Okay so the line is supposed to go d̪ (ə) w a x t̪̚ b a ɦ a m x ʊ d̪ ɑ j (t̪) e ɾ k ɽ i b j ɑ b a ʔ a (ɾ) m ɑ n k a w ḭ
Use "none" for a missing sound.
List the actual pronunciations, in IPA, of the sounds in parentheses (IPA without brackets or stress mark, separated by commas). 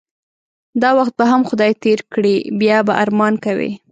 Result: ɑ, t̪, ɾ